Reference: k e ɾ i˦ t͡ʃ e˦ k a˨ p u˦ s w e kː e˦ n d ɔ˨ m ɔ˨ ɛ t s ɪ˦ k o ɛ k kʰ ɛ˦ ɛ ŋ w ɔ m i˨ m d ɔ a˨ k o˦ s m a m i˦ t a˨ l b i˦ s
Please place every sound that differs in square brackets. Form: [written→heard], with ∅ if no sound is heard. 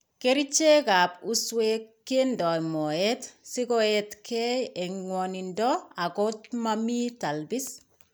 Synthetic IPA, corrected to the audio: k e ɾ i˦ t͡ʃ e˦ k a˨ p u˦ s w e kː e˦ n d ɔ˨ m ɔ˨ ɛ t s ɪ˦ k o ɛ [k→t] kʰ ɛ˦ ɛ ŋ w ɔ [m→n] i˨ [m→n] d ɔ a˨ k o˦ [s→t] m a m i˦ t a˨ l b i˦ s